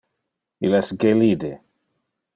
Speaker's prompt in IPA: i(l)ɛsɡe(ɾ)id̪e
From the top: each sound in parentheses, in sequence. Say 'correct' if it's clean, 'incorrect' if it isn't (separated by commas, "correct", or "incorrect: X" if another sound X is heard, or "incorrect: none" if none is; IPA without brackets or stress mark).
correct, incorrect: l